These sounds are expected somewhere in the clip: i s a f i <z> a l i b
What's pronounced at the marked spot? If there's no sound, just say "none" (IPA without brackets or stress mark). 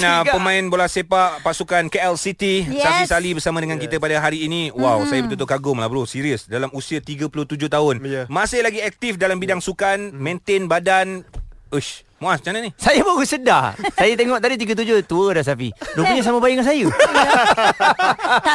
s